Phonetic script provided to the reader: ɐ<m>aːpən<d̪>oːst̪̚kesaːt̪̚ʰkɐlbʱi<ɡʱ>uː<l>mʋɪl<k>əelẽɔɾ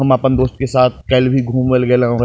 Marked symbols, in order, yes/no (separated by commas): yes, yes, yes, no, no